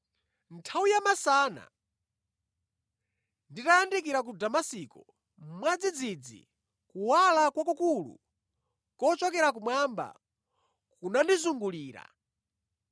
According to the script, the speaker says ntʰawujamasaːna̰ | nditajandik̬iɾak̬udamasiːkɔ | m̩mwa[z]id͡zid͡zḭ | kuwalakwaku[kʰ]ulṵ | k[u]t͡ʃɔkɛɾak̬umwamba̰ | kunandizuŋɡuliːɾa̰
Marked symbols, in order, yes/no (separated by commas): no, no, no